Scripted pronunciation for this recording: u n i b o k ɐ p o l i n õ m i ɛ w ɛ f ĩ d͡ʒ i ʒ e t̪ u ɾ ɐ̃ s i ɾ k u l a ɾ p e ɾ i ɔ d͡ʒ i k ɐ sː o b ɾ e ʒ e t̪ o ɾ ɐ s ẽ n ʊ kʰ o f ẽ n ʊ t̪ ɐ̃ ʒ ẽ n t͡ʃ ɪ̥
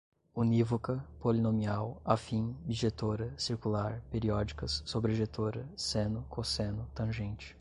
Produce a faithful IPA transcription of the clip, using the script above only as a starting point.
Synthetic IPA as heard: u n i v o k ɐ p o l i n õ m i a w a f ĩ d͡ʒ i ʒ e t̪ o ɾ ɐ s i ɾ k u l a ɾ p e ɾ i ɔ d͡ʒ i k ɐ sː o b ɾ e ʒ e t̪ o ɾ ɐ s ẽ n ʊ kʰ o s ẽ n ʊ t̪ ɐ̃ ʒ ẽ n t͡ʃ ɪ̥

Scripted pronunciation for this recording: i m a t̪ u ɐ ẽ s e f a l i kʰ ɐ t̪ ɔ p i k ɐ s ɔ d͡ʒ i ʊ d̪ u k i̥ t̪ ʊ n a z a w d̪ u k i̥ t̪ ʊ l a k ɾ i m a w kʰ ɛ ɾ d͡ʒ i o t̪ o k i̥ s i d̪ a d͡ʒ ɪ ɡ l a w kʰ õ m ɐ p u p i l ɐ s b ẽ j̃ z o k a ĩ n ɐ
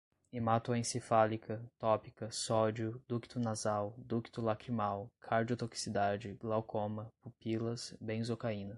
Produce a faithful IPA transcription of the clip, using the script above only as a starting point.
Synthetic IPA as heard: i m a t̪ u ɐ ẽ s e f a l i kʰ ɐ t̪ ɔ p i k ɐ s ɔ d͡ʒ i ʊ d̪ u k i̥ t̪ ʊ n a z a w d̪ u k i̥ t̪ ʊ l a k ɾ i m a w kʰ a ɾ d͡ʒ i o t̪ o k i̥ s i d̪ a d͡ʒ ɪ ɡ l a w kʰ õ m ɐ p u p i l ɐ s b ẽ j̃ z o k a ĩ n ɐ

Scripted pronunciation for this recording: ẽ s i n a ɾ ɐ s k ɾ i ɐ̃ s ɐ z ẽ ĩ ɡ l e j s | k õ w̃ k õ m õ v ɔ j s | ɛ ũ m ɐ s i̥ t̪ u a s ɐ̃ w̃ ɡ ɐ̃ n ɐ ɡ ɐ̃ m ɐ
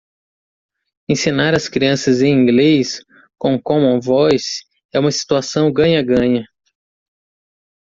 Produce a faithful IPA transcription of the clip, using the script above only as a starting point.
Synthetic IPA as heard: ẽ s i n a ɾ ɐ s k ɾ i ɐ̃ s ɐ z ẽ ĩ ɡ l e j s | k õ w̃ k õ m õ v ɔ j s | ɛ ũ m ɐ s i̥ t̪ u a s ɐ̃ w̃ ɡ ɐ̃ ɲ ɐ ɡ ɐ̃ ɲ ɐ

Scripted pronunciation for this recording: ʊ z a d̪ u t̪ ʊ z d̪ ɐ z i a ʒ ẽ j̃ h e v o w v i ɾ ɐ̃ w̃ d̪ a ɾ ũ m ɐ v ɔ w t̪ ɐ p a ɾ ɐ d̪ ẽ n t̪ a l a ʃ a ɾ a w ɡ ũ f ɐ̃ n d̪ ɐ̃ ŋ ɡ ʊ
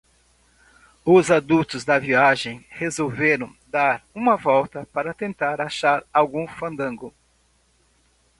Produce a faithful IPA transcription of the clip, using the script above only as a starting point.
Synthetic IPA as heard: ʊ z a d̪ u t̪ ʊ z d̪ ɐ v i a ʒ ẽ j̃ h e z o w v e ɾ ɐ̃ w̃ d̪ a ɾ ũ m ɐ v ɔ w t̪ ɐ p a ɾ ɐ t̪ ẽ n t̪ a ɾ a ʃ a ɾ a w ɡ ũ f ɐ̃ n d̪ ɐ̃ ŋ ɡ ʊ

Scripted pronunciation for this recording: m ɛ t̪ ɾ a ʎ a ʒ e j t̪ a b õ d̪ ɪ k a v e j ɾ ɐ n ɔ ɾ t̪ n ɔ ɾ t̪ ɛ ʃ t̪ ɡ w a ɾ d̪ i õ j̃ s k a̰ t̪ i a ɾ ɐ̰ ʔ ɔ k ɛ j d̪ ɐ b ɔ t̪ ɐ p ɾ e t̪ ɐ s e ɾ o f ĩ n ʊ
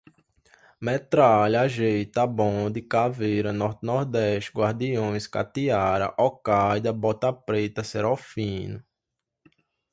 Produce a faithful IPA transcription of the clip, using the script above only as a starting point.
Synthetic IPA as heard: m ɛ t̪ ɾ a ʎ a ʒ e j t̪ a b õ d̪ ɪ k a v e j ɾ ɐ n ɔ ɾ t̪ n ɔ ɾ d̪ ɛ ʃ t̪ ɡ w a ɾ d̪ i õ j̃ s k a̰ t̪ i a ɾ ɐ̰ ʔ ɔ k a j d̪ ɐ b ɔ t̪ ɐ p ɾ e t̪ ɐ s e ɾ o f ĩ n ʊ

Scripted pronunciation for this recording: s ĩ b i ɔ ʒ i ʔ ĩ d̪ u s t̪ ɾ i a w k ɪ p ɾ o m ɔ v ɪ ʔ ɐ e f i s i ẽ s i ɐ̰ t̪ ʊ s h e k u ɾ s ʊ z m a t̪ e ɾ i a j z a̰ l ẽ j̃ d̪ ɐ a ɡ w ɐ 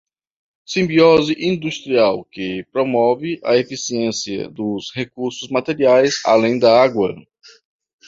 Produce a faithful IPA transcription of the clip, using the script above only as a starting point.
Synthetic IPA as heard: s ĩ b i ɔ z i ʔ ĩ d̪ u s t̪ ɾ i a w k ɪ p ɾ o m ɔ v ɪ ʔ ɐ e f i s i ẽ s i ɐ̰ d̪ ʊ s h e k u ɾ s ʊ z m a t̪ e ɾ i a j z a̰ l ẽ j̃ d̪ ɐ a ɡ w ɐ

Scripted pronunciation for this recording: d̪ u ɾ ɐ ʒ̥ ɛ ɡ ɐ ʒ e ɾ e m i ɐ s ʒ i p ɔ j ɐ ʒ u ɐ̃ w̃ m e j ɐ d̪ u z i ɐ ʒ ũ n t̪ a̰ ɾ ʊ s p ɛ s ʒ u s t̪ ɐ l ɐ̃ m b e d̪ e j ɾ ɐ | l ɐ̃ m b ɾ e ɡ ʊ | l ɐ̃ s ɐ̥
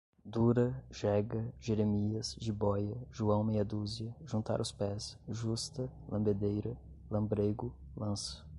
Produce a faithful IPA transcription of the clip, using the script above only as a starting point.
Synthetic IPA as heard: d̪ u ɾ ɐ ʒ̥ ɛ ɡ ɐ ʒ e ɾ e m i ɐ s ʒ i b ɔ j ɐ ʒ u ɐ̃ w̃ m e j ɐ d̪ u z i ɐ ʒ ũ n t̪ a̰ ɾ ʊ s p ɛ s ʒ u s t̪ ɐ l ɐ̃ m b e d̪ e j ɾ ɐ | l ɐ̃ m b ɾ e ɡ ʊ | l ɐ̃ s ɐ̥

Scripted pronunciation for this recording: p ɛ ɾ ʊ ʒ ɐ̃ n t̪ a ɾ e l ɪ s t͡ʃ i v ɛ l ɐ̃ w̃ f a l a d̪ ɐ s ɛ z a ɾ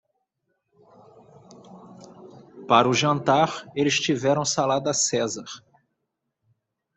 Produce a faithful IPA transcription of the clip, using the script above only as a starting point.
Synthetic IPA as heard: p a ɾ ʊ ʒ ɐ̃ n t̪ a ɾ e l ɪ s t͡ʃ i v ɛ ɾ ɐ̃ w̃ s a l a d̪ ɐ s ɛ z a ɾ

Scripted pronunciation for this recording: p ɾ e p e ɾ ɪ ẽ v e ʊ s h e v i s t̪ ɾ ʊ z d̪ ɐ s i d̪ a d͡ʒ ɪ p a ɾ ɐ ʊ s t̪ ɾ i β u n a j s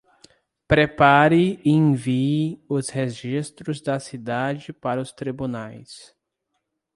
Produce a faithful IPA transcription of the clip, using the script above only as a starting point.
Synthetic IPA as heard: p ɾ e p a ɾ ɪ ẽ v i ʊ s h e ʒ i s t̪ ɾ ʊ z d̪ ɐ s i d̪ a d͡ʒ ɪ p a ɾ ɐ ʊ s t̪ ɾ i b u n a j s

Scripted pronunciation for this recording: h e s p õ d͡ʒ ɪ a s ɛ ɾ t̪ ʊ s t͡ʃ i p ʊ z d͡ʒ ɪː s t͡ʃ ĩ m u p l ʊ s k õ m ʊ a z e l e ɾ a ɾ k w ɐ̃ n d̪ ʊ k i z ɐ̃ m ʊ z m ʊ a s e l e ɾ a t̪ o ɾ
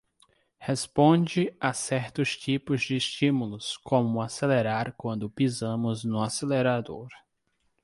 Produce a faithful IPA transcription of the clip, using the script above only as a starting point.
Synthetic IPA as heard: h e s p õ d͡ʒ ɪ a s ɛ ɾ t̪ ʊ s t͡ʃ i p ʊ z d͡ʒ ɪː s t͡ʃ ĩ m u l ʊ s k õ m ʊ a s e l e ɾ a ɾ k w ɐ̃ n d̪ ʊ p i z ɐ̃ m ʊ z n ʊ a s e l e ɾ a d̪ o ɾ

